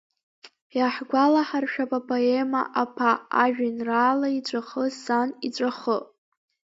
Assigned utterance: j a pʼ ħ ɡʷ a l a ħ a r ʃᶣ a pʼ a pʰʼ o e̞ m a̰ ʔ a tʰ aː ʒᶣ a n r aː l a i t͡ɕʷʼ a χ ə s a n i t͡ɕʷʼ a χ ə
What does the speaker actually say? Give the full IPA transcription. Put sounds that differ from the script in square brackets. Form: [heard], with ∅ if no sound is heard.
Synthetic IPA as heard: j a [∅] ħ ɡʷ a l a ħ a r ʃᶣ a pʼ a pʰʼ o e̞ m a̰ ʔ a [pʰ] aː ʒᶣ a n r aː l a i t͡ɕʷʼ a χ ə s a n i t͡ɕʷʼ a χ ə

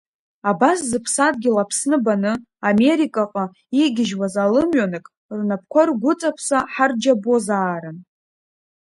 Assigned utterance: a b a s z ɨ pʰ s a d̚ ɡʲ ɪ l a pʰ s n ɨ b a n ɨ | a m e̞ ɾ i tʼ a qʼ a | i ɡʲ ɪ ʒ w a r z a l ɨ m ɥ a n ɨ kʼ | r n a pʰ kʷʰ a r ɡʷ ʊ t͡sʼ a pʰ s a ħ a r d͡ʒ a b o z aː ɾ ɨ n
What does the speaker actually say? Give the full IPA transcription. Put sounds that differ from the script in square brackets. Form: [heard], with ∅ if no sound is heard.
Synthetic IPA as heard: a b a s z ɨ pʰ s a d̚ ɡʲ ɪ l a pʰ s n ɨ b a n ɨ | a m e̞ ɾ i [kʼ] a qʼ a | i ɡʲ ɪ ʒ w a [∅] z a l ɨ m ɥ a n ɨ kʼ | r n a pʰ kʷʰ a r ɡʷ ʊ t͡sʼ a pʰ s a ħ a r d͡ʒ a b o z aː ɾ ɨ n

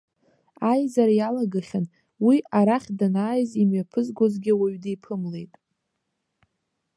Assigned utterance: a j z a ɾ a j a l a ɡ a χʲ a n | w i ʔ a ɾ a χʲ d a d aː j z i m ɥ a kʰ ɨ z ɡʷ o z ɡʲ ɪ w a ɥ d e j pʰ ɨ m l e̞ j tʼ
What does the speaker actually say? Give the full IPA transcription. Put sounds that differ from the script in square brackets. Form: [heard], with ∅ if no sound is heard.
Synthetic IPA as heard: a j z a ɾ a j a l a ɡ a χʲ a n | w i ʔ a ɾ a χʲ d a [n] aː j z i m ɥ a [pʰ] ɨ z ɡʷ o z ɡʲ ɪ w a ɥ d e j pʰ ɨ m l e̞ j tʼ

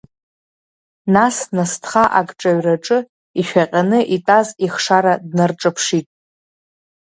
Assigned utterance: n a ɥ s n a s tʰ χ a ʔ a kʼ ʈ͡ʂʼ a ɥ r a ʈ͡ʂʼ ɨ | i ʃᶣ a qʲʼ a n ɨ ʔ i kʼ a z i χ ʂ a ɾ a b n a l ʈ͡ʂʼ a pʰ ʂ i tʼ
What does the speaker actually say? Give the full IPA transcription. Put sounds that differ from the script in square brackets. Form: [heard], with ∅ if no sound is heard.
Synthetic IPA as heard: n a [∅] s n a s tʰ χ a ʔ a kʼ ʈ͡ʂʼ a ɥ r a ʈ͡ʂʼ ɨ | i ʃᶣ a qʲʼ a n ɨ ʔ i [tʼ] a z i χ ʂ a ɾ a [d] n a [r] ʈ͡ʂʼ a pʰ ʂ i tʼ

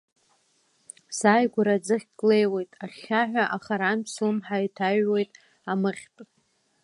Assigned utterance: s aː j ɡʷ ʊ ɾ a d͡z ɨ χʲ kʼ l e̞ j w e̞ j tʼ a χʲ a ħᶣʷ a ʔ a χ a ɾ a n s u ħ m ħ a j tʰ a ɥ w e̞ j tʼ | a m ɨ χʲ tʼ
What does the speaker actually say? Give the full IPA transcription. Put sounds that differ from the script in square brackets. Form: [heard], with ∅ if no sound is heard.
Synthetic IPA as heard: s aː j ɡʷ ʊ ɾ a d͡z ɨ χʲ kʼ l e̞ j w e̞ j tʼ a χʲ a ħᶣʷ a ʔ a χ a ɾ a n s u [∅] m ħ a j tʰ a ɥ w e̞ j tʼ | a m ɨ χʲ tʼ

